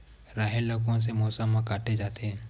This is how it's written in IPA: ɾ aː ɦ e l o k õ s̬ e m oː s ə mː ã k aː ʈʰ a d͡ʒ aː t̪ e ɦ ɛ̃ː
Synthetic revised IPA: ɾ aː ɦ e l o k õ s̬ e m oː s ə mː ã k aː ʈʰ e d͡ʒ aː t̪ e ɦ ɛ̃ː